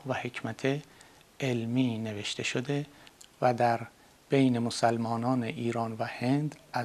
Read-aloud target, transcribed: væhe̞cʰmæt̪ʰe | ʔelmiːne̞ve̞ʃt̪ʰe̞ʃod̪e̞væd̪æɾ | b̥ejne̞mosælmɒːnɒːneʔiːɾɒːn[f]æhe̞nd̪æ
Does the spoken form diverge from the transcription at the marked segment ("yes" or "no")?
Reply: yes